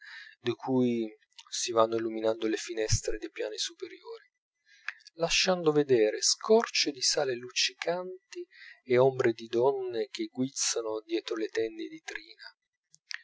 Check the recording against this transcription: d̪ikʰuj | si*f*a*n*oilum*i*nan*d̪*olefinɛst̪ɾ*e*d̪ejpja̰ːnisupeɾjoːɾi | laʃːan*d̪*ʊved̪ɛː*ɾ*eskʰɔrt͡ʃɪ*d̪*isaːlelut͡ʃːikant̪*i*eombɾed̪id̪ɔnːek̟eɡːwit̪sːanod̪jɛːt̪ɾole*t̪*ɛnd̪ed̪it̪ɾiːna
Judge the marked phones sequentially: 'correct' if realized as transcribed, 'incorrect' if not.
incorrect, incorrect, correct, correct, correct, correct, correct, correct, correct, correct

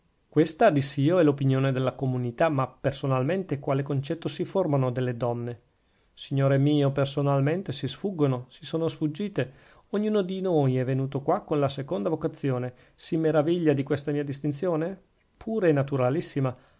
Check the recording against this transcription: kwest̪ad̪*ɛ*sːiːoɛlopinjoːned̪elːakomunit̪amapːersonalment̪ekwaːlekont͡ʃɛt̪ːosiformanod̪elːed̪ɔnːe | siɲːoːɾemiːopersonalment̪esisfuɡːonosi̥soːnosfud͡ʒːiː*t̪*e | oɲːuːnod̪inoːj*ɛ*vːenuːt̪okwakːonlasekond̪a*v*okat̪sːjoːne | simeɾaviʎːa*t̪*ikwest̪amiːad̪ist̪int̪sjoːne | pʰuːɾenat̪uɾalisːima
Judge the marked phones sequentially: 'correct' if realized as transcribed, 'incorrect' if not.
incorrect, correct, correct, correct, incorrect

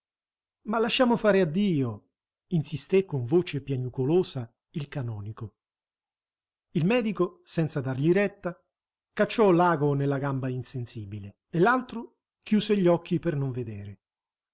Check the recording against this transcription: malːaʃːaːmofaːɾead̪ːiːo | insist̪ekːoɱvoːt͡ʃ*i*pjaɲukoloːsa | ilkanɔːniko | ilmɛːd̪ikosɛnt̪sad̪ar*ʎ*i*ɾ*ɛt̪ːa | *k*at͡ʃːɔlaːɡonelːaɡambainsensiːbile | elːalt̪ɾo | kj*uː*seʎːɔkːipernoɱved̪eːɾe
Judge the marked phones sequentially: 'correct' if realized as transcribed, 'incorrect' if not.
incorrect, correct, correct, correct, correct

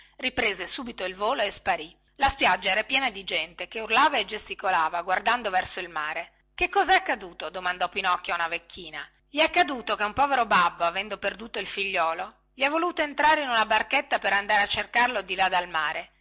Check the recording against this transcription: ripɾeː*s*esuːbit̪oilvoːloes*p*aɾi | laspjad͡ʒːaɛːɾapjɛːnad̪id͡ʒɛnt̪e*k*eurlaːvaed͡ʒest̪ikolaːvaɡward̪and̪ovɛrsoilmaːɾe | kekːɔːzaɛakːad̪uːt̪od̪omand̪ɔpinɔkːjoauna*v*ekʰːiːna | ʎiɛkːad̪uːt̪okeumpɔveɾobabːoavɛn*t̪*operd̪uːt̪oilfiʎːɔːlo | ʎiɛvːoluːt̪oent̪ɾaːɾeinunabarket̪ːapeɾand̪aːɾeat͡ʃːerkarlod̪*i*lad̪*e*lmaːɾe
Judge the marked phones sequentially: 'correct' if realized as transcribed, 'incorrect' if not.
incorrect, correct, correct, correct, incorrect, correct, incorrect

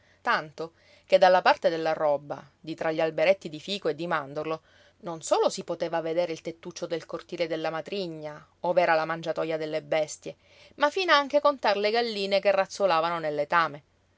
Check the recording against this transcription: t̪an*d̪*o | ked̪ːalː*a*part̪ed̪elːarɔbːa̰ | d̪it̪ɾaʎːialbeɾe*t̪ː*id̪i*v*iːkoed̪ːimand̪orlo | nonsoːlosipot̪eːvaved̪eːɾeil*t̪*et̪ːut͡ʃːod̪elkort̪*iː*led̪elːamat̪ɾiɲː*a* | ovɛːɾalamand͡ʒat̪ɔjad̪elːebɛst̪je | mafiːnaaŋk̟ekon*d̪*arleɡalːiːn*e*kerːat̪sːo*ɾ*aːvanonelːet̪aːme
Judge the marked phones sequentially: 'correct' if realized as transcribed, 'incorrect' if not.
incorrect, correct, correct, incorrect, correct, correct, correct, incorrect, correct, incorrect

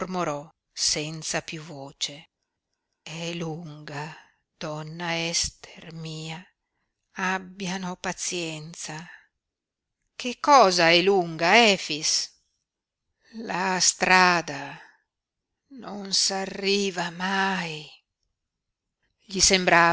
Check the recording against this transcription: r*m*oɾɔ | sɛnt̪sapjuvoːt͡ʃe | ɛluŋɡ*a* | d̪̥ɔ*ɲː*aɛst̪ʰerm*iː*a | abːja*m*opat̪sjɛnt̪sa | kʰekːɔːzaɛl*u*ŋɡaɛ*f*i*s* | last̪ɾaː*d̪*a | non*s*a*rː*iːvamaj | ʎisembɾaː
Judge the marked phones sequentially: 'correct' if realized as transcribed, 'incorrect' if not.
correct, correct, incorrect, correct, incorrect, correct, correct, correct, correct, correct, correct

